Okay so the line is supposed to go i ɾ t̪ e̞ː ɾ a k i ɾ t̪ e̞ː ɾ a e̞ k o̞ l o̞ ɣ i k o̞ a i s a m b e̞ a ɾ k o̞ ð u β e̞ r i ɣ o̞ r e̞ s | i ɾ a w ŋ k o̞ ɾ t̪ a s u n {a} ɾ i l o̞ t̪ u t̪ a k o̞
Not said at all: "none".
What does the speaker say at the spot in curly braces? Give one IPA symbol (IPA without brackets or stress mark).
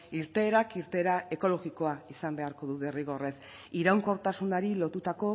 a